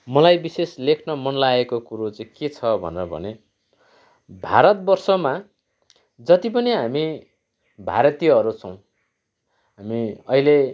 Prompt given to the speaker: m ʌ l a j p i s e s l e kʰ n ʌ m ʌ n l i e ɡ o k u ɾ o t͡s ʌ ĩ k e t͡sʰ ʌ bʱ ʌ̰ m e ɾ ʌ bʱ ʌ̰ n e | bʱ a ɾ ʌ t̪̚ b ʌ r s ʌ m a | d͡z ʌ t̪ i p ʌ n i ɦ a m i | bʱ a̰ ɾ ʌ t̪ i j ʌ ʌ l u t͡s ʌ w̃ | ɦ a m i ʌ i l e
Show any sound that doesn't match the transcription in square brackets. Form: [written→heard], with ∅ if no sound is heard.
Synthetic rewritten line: m ʌ l a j [p→b] i s e s l e kʰ n ʌ m ʌ n l [i→a] e [ɡ→k] o k u ɾ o t͡s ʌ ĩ k e t͡sʰ ʌ bʱ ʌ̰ [m→n] e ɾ ʌ bʱ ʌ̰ n e | bʱ a ɾ ʌ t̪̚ b ʌ r s ʌ m a | d͡z ʌ t̪ i p ʌ n i ɦ a m i | bʱ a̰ ɾ ʌ t̪ i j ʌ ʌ [l→ɾ] u [t͡s→t͡sʰ] ʌ w̃ | ɦ a m i ʌ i l e